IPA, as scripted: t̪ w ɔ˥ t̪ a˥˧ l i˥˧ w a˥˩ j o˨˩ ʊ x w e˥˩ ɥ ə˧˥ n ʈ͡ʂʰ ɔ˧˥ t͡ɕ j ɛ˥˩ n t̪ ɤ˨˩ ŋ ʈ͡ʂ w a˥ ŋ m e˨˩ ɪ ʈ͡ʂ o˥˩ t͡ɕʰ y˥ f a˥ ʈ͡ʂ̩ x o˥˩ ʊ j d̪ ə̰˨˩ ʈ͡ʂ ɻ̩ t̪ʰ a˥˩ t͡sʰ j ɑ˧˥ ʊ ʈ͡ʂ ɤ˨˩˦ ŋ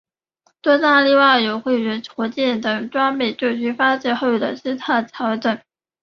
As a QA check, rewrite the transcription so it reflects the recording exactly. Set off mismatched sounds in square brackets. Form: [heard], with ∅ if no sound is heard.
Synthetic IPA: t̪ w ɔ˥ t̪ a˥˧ l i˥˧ w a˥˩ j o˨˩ ʊ x w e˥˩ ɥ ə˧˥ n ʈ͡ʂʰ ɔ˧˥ t͡ɕ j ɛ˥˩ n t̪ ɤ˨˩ ŋ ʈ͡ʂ w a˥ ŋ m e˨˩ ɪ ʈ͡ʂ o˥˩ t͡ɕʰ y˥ f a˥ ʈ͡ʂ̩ x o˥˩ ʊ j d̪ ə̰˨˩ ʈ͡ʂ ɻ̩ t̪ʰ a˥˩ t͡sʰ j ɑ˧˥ ʊ ʈ͡ʂ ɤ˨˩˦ ŋ